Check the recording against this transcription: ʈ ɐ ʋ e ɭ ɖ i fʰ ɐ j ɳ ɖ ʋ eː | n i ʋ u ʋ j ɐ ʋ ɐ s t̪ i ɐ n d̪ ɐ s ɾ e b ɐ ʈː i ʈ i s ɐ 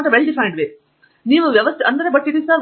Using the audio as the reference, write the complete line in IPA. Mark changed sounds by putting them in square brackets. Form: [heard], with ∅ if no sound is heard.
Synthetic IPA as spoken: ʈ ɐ ʋ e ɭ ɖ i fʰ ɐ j ɳ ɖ ʋ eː | n [iː] ʋ u ʋ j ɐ ʋ ɐ s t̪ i ɐ n d̪ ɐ [∅] ɾ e b ɐ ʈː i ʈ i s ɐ